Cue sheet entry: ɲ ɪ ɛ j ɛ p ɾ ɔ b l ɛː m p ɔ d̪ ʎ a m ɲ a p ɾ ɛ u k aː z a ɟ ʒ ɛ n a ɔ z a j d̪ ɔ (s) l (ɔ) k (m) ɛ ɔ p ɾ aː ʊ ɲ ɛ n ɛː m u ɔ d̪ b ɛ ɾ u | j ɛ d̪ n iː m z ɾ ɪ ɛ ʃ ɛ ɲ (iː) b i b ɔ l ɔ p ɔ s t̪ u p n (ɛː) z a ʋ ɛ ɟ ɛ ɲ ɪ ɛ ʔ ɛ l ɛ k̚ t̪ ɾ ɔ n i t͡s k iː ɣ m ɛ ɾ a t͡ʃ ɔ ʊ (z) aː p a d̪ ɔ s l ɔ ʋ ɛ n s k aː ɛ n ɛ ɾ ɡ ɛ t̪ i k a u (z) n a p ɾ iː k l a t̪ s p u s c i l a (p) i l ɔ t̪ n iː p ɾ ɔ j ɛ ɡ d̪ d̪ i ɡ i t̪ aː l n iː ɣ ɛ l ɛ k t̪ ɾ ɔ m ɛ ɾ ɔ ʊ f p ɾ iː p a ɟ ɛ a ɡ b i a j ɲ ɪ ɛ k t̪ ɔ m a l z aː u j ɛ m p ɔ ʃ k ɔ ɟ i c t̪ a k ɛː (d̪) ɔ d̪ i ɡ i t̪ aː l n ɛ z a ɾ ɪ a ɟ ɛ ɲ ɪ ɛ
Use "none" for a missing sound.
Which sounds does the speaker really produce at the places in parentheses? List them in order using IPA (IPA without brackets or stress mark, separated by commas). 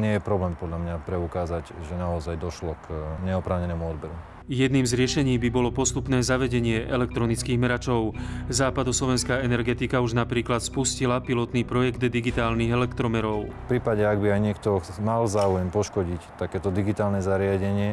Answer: ʃ, ɔ, ɲ, iː, ɛː, z, ʒ, p, t̪